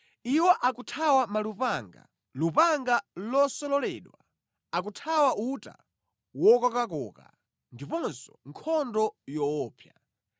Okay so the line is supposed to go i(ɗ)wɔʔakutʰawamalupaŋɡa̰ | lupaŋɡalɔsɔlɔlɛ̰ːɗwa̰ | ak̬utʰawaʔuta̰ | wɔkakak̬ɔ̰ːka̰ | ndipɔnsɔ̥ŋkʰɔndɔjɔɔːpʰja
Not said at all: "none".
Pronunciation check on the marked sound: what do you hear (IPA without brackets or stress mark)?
none